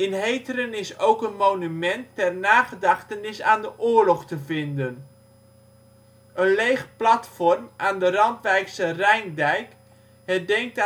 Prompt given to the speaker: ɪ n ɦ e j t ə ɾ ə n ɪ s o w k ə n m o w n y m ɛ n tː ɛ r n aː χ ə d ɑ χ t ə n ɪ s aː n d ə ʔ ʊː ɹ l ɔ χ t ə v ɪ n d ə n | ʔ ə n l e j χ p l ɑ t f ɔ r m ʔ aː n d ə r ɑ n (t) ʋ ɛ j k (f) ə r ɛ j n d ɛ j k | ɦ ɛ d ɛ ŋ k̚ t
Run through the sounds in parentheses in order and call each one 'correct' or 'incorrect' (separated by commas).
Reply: correct, incorrect